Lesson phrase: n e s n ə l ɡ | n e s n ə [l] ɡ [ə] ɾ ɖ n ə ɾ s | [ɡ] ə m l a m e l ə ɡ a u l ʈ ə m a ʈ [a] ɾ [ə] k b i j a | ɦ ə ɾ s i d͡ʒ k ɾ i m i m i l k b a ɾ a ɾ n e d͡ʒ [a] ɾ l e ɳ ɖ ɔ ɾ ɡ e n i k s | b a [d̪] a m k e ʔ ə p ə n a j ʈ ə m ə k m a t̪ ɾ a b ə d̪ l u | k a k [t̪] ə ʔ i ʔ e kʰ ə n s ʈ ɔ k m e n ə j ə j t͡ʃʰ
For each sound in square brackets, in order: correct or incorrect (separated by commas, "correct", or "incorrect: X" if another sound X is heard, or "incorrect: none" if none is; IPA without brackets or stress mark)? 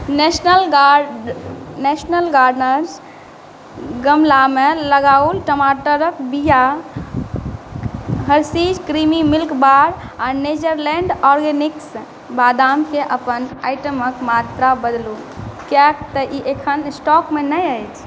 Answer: correct, incorrect: a, correct, incorrect: ə, correct, incorrect: ə, correct, correct